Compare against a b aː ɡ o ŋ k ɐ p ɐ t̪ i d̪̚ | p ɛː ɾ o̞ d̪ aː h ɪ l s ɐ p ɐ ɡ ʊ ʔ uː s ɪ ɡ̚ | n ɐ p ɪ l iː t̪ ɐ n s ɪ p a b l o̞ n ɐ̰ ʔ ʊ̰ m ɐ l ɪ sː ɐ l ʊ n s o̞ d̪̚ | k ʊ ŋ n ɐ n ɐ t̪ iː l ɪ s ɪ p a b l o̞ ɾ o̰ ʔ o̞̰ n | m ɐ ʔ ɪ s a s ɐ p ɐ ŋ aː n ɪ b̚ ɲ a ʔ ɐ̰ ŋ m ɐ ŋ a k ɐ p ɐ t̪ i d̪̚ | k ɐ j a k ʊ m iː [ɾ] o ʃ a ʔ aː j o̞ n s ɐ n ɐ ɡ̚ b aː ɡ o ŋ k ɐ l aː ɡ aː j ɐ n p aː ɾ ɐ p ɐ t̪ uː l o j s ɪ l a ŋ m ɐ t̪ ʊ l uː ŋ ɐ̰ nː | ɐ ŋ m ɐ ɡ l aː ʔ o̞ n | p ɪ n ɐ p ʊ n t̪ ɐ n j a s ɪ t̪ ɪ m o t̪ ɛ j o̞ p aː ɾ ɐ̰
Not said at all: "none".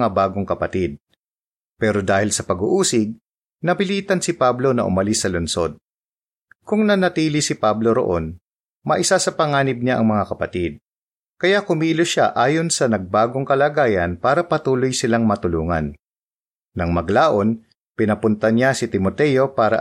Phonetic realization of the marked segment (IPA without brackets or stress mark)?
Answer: l